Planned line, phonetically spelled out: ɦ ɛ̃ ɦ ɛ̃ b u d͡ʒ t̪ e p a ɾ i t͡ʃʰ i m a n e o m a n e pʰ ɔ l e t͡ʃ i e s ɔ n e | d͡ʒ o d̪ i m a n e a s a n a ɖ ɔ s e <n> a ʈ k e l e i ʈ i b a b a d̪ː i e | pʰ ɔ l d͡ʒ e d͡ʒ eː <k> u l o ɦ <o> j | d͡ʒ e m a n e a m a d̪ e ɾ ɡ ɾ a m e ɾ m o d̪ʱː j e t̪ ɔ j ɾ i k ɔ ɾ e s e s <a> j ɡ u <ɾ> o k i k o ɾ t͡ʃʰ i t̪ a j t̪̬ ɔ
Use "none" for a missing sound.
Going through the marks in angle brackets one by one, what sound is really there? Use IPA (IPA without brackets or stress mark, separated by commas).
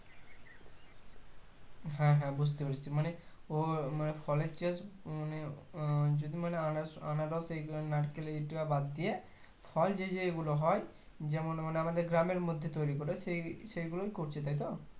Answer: n, ɡ, ɔ, e, l